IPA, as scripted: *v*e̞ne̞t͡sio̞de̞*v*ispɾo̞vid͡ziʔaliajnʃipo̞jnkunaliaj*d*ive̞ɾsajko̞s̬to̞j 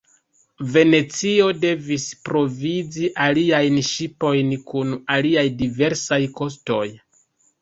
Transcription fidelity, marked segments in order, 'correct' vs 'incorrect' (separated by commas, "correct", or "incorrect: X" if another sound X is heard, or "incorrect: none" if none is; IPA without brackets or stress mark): correct, correct, correct